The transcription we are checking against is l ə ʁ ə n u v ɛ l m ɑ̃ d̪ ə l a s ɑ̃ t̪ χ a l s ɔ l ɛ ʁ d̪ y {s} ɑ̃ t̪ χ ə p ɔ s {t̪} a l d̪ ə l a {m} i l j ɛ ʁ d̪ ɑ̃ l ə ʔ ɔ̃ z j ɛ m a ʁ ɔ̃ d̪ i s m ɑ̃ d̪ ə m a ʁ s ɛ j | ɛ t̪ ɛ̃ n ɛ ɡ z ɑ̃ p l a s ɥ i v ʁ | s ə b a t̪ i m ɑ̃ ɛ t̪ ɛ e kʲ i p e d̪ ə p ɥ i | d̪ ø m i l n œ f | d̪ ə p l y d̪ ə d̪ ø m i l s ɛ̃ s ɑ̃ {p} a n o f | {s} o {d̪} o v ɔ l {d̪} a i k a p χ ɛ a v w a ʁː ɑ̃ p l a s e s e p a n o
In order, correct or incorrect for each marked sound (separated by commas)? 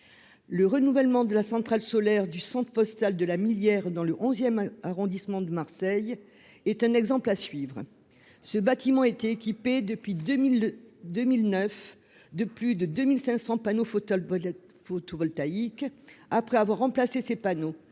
correct, correct, correct, correct, incorrect, incorrect, incorrect